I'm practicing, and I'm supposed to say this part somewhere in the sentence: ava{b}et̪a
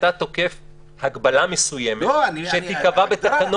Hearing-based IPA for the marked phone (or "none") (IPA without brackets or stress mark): b